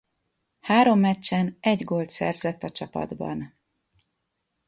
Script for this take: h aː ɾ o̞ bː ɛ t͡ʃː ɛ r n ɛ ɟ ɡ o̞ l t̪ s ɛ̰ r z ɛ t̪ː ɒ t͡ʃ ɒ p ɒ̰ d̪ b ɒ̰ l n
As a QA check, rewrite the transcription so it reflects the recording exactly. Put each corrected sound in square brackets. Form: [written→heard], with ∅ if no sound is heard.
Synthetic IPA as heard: h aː ɾ o̞ [bː→mː] ɛ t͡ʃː ɛ [r→∅] n ɛ ɟ ɡ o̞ l t̪ s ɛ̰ r z ɛ t̪ː ɒ t͡ʃ ɒ p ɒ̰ d̪ b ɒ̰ [l→∅] n